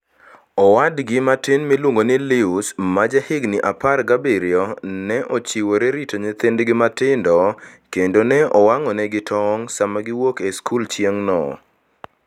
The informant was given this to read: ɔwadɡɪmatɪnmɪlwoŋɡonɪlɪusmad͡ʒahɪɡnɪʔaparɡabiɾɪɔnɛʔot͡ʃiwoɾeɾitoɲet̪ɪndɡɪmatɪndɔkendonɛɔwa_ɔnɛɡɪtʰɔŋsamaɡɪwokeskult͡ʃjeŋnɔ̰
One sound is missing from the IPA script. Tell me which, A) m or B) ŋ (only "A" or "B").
B